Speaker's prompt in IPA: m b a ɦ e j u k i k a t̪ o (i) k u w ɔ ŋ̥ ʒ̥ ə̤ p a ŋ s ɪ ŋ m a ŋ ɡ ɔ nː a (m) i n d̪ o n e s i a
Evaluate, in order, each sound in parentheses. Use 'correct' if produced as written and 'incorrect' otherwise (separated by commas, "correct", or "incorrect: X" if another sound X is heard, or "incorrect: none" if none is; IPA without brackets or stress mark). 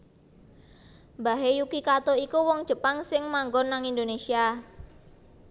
correct, incorrect: ŋ